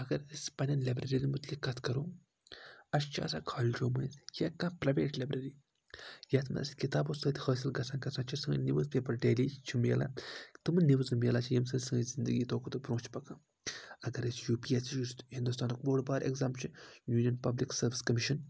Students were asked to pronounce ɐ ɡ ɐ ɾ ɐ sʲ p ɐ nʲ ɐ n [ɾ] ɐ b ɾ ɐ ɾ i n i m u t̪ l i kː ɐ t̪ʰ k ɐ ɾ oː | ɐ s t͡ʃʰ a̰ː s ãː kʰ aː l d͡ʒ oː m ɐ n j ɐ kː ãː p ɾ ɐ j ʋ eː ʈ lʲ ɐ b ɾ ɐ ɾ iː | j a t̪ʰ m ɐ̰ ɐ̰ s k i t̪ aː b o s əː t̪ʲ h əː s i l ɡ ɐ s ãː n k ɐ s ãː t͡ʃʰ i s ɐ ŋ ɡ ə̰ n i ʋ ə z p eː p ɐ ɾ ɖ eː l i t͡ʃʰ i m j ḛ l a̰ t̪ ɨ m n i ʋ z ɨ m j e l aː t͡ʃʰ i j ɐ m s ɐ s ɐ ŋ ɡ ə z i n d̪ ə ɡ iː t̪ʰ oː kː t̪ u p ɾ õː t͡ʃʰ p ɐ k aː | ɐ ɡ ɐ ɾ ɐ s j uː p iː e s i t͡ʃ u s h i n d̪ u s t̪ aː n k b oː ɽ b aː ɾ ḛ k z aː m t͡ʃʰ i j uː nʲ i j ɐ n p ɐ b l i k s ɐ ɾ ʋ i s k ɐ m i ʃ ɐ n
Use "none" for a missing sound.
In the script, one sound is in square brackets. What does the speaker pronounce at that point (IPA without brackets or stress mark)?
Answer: l